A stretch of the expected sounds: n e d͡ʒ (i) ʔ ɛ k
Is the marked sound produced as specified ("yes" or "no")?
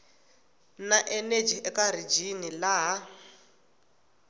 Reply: yes